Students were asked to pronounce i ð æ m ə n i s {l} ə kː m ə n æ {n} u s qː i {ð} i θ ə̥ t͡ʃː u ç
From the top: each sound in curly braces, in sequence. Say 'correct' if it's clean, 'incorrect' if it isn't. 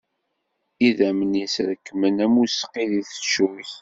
incorrect, incorrect, correct

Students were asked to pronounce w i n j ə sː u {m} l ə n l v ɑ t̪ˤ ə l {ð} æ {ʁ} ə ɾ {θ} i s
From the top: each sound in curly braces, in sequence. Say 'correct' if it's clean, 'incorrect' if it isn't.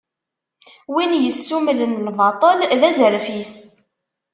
correct, correct, incorrect, incorrect

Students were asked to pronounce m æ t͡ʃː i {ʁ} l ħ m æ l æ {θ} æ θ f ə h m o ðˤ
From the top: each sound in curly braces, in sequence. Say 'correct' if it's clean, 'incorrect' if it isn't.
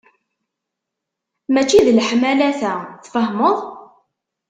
incorrect, correct

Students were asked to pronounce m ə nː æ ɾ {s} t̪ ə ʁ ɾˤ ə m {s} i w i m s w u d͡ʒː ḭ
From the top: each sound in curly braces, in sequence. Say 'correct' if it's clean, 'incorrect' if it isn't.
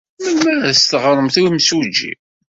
correct, incorrect

